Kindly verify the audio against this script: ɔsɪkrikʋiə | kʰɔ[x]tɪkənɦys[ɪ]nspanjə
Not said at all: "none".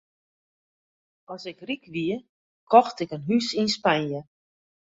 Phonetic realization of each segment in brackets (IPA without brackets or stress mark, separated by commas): x, i